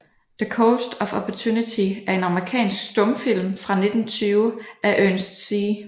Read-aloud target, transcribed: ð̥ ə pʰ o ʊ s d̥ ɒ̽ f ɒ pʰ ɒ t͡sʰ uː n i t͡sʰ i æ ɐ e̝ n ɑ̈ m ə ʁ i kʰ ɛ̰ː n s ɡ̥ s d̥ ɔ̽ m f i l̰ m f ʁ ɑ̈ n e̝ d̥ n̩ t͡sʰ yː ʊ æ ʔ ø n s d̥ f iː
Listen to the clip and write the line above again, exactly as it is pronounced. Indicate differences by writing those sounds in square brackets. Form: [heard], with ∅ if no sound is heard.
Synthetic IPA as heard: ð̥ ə [kʰ] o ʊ s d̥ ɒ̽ f ɒ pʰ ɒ t͡sʰ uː n i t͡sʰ i æ ɐ e̝ n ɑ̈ m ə ʁ i kʰ ɛ̰ː n s ɡ̥ s d̥ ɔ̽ m f i l̰ m f ʁ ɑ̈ n e̝ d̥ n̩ t͡sʰ yː ʊ æ ʔ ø n s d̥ [s] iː